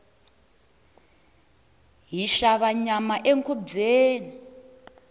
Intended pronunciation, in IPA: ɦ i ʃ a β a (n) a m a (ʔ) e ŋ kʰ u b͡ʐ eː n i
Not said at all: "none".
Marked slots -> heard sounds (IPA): ɲ, ʔ

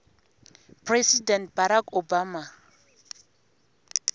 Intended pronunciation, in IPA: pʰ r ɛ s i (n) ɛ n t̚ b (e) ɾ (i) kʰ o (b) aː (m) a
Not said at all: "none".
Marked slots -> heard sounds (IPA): d, a, a, b, m

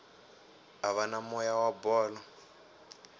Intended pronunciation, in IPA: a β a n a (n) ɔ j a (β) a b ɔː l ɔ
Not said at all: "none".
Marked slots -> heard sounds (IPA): m, w

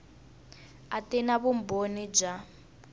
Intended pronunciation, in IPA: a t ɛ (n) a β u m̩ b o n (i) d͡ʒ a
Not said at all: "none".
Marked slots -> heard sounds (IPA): n, i

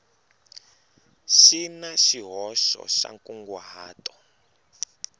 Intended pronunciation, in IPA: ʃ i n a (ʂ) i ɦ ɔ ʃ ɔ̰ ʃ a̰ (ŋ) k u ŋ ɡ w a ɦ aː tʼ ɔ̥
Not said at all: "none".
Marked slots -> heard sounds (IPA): ʃ, ŋ

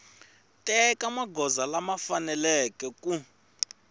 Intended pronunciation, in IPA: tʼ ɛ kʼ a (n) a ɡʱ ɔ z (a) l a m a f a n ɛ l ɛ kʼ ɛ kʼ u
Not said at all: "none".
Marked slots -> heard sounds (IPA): m, a

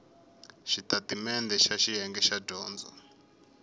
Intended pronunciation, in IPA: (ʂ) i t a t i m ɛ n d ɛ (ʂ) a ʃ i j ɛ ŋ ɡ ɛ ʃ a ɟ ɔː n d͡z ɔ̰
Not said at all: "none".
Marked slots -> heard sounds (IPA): ʃ, ʃ

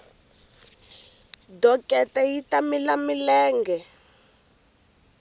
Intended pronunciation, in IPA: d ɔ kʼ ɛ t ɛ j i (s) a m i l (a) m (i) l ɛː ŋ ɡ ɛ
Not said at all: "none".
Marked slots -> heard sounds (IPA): t, a, i

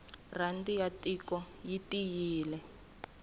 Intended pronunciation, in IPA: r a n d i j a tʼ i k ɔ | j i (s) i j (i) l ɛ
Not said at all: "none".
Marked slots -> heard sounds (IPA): t, iː

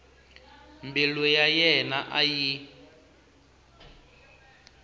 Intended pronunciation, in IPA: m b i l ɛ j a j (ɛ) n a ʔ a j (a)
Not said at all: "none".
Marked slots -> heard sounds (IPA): ɛ, i

